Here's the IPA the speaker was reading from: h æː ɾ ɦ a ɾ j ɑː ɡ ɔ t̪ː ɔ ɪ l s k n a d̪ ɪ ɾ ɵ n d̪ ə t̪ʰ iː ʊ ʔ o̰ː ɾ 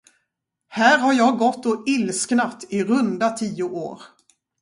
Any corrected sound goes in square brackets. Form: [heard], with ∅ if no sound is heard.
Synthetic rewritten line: h æː ɾ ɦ a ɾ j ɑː ɡ ɔ t̪ː ɔ ɪ l s k n a [t̪] ɪ ɾ ɵ n d̪ [a] t̪ʰ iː ʊ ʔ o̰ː ɾ